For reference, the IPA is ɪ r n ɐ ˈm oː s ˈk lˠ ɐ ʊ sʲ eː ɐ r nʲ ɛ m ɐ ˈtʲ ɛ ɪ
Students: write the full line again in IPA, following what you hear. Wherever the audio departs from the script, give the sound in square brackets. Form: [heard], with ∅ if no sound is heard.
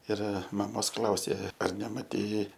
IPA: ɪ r [m] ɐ ˈm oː s ˈk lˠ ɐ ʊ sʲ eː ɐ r nʲ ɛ m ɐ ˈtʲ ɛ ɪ